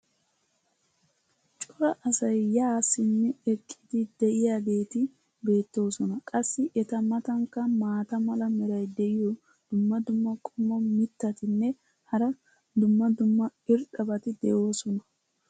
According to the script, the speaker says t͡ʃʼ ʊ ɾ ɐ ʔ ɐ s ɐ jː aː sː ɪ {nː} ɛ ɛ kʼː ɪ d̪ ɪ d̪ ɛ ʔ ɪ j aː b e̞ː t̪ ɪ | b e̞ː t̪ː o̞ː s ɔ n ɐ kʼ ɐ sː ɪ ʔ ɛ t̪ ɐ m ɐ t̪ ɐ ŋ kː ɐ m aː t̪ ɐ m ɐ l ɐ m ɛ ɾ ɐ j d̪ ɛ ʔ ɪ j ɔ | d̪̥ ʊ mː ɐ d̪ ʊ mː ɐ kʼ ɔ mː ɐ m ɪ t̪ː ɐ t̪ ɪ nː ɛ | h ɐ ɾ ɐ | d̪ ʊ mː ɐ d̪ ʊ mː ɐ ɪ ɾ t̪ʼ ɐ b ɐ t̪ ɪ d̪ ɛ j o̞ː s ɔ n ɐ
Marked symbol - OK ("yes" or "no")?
yes